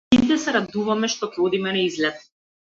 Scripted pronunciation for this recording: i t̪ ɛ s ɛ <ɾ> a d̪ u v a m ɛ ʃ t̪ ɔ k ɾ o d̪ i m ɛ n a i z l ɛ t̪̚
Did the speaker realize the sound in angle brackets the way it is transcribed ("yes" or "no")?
yes